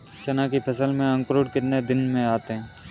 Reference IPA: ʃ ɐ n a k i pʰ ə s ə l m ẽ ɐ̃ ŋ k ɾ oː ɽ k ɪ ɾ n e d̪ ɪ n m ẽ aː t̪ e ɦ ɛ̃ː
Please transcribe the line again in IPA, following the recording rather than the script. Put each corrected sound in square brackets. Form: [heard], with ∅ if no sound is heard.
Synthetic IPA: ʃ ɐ n a k i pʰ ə s ə l m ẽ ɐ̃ ŋ k ɾ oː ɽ k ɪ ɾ n e d̪ ɪ n m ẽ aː t̪ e ɦ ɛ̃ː